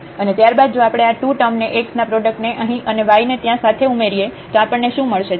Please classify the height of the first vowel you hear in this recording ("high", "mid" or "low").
mid